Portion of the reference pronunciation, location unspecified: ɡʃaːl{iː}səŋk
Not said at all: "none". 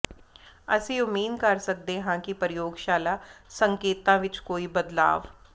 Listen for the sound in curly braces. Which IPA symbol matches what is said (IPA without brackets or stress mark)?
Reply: aː